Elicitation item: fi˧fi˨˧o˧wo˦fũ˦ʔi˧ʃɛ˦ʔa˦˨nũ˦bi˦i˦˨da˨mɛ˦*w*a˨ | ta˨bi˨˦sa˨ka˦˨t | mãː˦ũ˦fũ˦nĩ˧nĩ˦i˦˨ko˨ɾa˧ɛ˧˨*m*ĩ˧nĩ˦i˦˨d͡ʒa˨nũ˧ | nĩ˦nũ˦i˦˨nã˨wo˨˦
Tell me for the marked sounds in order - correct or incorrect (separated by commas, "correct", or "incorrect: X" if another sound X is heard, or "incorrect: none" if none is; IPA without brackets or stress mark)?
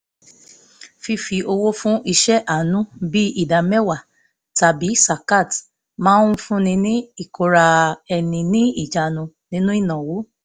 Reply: correct, incorrect: n